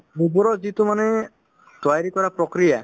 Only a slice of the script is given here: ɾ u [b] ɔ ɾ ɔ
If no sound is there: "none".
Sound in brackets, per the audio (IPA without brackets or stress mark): b